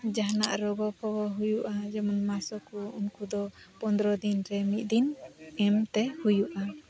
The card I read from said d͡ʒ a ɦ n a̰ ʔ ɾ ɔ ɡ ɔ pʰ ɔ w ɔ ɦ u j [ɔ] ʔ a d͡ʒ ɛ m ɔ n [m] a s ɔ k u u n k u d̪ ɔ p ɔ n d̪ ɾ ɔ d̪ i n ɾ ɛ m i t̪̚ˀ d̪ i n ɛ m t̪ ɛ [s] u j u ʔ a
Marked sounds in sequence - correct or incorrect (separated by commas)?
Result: incorrect, correct, incorrect